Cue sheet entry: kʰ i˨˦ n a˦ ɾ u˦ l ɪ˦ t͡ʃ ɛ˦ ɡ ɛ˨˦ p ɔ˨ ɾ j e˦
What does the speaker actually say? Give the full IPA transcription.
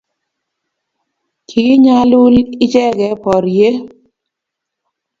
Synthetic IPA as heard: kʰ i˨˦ ɲ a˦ l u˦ l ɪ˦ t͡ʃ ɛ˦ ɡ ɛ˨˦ p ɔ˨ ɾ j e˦